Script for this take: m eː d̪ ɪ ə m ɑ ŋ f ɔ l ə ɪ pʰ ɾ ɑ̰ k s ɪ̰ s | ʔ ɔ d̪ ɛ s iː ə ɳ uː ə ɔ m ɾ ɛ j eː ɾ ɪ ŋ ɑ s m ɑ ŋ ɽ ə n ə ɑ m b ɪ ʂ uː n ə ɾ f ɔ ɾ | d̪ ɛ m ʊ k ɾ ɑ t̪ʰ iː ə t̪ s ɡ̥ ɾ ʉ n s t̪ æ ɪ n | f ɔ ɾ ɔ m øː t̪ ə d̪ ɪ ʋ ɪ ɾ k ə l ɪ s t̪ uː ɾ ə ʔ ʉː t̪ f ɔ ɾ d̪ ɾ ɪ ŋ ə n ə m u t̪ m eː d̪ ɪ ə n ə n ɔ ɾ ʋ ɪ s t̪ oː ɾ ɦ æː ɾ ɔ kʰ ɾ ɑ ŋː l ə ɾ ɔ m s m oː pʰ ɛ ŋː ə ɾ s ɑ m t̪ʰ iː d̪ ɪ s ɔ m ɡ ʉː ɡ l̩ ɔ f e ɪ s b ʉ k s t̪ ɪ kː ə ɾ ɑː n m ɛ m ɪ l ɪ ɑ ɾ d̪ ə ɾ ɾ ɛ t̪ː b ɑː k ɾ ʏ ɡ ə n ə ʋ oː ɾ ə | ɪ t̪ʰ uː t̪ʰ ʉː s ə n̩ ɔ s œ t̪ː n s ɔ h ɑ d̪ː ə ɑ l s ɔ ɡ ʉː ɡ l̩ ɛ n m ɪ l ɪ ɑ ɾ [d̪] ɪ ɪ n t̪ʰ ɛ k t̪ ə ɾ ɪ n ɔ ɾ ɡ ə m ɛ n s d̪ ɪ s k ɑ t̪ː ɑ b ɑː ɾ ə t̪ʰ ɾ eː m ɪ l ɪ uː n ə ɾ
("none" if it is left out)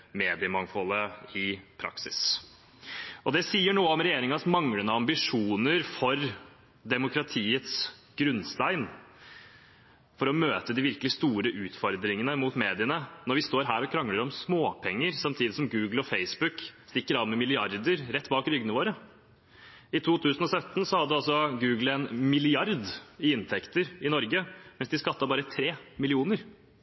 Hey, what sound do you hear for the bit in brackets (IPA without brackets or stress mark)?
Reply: d̪